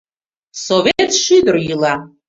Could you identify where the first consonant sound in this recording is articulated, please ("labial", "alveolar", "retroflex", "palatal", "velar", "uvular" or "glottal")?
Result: alveolar